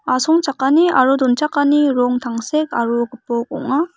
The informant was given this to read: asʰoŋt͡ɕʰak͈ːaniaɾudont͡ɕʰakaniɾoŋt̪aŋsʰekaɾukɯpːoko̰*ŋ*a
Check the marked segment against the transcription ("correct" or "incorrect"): correct